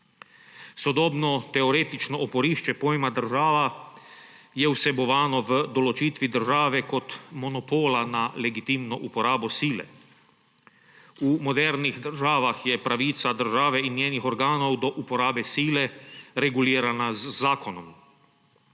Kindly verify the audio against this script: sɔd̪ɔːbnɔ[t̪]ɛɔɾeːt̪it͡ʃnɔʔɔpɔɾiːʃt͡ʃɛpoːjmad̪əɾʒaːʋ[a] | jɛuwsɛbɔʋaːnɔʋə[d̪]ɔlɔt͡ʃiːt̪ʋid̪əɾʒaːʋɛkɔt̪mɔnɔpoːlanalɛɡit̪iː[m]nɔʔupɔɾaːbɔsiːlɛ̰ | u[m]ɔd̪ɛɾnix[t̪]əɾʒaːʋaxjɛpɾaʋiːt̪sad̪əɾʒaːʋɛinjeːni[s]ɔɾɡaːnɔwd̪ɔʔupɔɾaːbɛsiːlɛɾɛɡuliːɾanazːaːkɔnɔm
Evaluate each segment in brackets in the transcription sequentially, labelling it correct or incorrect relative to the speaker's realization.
correct, correct, correct, correct, correct, incorrect, incorrect

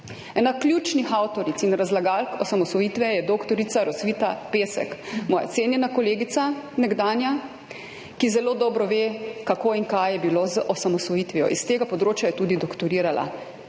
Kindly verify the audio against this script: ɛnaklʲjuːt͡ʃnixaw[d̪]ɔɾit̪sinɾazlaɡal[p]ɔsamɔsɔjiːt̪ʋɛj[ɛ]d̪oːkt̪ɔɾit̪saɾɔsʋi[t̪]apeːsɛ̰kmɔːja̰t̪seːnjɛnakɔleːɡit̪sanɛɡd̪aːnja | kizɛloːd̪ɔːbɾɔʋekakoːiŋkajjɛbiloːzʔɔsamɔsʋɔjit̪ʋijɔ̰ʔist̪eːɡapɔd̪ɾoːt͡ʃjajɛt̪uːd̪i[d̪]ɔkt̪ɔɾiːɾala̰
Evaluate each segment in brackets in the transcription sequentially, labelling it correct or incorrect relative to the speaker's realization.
incorrect, incorrect, correct, correct, correct

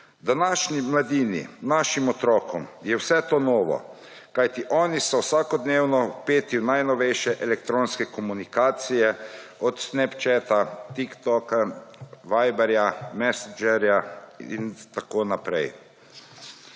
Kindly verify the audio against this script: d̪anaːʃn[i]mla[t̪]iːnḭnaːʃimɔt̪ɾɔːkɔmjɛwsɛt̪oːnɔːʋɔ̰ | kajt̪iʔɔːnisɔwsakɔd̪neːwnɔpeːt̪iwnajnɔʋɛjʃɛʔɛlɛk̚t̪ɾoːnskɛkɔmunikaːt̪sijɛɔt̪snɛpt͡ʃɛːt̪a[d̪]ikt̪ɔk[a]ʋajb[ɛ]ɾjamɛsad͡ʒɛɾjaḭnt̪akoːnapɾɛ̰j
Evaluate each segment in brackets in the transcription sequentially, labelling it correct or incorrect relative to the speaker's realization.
correct, incorrect, incorrect, correct, correct

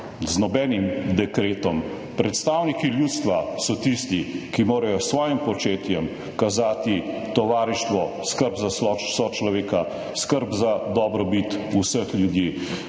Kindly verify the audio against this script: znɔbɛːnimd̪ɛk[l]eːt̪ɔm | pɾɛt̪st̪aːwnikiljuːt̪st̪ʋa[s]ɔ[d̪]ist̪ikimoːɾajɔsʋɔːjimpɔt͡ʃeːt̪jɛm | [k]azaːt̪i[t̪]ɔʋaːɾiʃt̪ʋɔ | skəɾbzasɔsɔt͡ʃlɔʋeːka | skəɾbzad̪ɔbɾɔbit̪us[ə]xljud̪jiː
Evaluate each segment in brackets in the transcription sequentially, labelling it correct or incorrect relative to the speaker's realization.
incorrect, correct, incorrect, correct, correct, correct

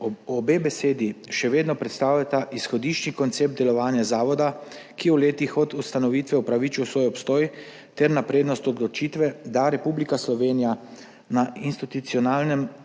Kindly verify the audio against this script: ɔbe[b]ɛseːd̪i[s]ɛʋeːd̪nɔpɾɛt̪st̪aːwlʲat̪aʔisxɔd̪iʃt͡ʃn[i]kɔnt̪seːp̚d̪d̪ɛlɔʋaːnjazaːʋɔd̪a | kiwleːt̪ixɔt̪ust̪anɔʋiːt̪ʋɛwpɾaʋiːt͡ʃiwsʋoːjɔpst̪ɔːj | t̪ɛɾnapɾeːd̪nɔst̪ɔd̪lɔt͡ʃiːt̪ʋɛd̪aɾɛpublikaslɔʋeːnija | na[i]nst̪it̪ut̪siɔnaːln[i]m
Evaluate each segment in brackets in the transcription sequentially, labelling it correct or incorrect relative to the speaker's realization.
correct, incorrect, correct, correct, incorrect

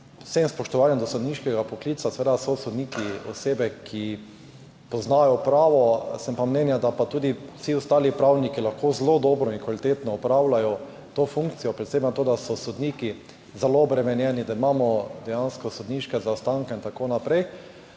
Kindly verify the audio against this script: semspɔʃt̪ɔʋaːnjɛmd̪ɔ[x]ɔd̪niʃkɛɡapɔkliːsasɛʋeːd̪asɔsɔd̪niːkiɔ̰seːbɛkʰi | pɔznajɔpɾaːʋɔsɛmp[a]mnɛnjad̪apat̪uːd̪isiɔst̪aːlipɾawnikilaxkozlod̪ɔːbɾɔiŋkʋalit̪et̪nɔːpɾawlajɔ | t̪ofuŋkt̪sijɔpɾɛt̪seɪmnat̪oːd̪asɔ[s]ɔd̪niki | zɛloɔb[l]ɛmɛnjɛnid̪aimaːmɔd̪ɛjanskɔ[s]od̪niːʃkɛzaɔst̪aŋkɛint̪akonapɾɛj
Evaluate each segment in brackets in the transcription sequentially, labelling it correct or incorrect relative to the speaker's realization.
incorrect, correct, correct, incorrect, correct

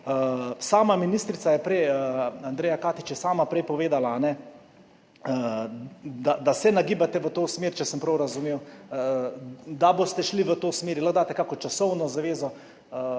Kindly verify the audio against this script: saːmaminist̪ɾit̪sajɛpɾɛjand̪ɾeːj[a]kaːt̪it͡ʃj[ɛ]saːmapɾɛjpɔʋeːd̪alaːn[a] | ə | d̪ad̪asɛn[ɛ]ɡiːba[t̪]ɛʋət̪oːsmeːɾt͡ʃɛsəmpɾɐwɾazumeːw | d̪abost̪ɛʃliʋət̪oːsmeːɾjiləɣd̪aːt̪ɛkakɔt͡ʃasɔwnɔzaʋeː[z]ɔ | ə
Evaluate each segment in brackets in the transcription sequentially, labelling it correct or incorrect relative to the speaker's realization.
correct, correct, incorrect, incorrect, correct, correct

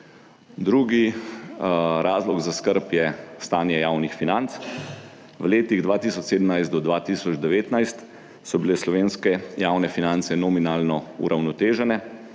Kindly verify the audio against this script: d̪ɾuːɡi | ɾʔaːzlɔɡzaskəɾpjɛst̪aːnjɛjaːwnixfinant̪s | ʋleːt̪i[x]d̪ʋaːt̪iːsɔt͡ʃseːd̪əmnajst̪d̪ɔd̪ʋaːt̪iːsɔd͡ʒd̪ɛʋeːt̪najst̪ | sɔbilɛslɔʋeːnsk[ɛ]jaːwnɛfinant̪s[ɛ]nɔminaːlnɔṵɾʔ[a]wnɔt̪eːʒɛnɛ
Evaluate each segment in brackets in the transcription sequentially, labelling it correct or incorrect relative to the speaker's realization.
incorrect, correct, correct, correct

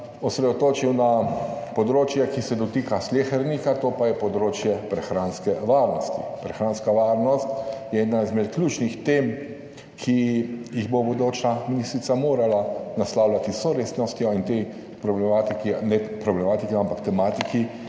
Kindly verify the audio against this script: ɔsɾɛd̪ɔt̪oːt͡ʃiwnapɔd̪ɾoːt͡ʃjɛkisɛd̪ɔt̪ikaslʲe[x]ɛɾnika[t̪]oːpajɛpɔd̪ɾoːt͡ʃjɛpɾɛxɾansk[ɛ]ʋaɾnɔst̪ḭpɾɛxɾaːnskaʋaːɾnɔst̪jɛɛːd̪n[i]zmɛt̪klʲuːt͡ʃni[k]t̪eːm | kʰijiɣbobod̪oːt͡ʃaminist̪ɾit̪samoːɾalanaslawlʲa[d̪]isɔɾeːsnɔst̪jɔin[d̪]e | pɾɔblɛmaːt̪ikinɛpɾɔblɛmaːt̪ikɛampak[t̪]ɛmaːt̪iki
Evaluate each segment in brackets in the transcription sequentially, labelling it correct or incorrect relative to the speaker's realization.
correct, correct, correct, incorrect, incorrect, incorrect, incorrect, correct

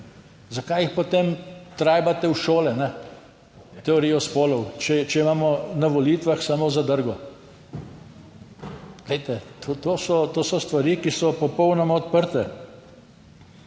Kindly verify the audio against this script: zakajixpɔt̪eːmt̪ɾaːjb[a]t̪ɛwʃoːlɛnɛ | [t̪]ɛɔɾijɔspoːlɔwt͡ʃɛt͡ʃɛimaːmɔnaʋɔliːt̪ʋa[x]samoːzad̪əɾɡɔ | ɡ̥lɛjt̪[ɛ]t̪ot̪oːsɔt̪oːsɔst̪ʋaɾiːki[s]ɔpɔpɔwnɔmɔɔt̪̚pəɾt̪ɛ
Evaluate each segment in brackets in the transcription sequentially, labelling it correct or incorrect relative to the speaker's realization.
correct, correct, correct, correct, correct

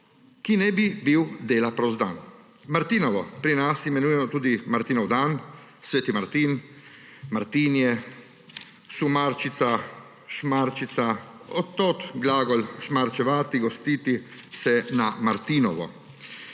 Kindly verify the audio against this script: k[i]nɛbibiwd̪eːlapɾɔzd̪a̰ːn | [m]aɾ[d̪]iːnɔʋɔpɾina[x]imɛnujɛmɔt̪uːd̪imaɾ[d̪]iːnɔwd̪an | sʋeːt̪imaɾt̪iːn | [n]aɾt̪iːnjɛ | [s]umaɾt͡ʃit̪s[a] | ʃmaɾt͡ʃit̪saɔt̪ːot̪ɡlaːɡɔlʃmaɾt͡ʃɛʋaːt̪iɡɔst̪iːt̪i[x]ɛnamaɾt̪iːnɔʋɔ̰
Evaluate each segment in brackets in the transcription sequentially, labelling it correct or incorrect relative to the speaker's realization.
correct, correct, incorrect, incorrect, incorrect, incorrect, correct, correct, incorrect

